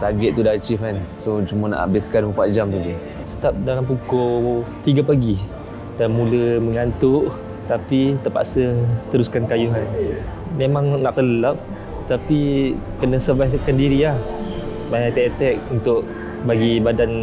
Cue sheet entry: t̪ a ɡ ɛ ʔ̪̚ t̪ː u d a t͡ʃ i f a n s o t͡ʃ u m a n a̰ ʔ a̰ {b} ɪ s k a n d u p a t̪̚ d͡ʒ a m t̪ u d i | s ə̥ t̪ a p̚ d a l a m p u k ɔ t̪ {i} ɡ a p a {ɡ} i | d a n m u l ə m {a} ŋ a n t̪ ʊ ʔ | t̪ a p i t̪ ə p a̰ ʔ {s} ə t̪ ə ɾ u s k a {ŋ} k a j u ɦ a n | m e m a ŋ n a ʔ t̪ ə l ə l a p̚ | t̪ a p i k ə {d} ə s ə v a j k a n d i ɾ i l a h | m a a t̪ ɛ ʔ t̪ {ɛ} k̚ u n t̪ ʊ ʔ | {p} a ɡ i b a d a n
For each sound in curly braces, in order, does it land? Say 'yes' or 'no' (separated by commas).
yes, yes, yes, no, yes, no, no, yes, no